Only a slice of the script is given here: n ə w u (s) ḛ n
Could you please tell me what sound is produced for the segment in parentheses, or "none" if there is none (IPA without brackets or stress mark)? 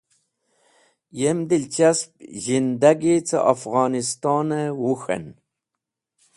x